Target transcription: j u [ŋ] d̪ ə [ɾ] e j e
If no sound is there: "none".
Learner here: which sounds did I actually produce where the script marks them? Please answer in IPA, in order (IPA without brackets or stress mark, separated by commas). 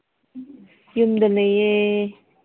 m, l